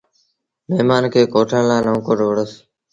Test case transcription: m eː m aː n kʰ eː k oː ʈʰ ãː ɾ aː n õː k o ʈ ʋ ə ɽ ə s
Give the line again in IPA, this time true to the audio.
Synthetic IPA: m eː m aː n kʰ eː k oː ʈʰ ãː l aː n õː k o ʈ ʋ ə ɽ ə s

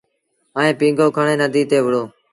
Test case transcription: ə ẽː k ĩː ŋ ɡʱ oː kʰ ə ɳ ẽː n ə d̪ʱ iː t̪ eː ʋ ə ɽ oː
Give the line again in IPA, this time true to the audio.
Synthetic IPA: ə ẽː p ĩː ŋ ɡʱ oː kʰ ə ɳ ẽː n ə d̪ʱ iː t̪ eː ʋ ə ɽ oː

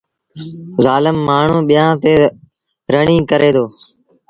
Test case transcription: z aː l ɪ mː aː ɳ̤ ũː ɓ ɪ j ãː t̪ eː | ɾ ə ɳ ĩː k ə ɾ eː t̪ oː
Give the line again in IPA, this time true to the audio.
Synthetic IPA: z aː l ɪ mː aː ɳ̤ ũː ɓ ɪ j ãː t̪ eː | ɾ ə ɳ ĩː k ə ɾ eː d̪ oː

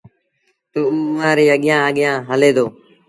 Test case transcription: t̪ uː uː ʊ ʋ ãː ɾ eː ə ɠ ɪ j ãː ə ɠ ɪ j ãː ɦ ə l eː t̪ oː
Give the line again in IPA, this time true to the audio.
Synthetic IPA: t̪ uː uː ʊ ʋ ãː ɾ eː ə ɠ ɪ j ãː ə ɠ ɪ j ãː ɦ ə l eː d̪ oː

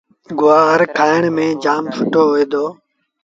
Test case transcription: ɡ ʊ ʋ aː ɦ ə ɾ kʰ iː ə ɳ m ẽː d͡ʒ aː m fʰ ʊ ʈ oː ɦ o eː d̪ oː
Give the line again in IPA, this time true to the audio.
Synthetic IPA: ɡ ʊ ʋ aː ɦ ə ɾ kʰ aː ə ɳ m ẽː d͡ʒ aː m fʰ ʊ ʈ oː ɦ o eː d̪ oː

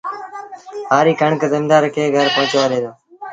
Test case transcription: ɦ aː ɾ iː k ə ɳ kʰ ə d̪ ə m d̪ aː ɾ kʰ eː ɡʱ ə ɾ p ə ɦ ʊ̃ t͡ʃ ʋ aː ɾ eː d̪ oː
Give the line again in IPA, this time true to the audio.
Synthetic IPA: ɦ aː ɾ iː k ə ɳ k ə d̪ ə m d̪ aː ɾ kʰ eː ɡʱ ə ɾ p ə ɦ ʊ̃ t͡ʃ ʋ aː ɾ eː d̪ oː

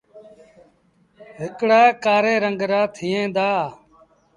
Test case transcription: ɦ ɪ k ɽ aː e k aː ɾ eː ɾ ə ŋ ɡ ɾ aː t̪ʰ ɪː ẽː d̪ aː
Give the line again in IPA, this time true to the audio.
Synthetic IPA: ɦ ɪ k ɽ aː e k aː ɾ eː ɾ ə ŋ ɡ ɾ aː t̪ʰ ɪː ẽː d̪ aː

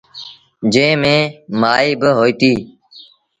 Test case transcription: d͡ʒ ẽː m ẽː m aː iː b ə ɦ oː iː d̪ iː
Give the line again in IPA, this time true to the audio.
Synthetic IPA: d͡ʒ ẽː m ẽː m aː iː b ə ɦ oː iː t̪ iː

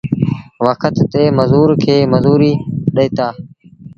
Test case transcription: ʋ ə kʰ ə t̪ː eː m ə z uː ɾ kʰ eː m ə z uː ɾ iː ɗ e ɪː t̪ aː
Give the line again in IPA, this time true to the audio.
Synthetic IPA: ʋ ə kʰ ə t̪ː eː m ə z uː ɾ kʰ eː m ə z uː ɾ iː ɗ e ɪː t̪ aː

